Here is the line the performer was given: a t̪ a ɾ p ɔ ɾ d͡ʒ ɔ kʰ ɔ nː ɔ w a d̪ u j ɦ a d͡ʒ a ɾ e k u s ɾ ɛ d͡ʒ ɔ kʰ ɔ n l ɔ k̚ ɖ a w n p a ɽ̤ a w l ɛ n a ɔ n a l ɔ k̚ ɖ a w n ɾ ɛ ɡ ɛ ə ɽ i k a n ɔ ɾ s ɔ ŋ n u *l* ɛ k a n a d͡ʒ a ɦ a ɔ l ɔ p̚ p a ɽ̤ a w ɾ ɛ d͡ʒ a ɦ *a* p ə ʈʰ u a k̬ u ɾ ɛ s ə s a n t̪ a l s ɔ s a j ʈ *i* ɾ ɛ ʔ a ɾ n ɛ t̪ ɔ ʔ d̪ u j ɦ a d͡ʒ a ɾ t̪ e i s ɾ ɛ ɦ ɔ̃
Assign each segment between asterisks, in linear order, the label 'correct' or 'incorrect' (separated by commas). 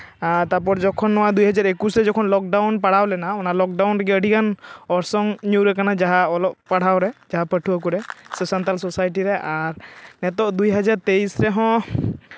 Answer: incorrect, correct, correct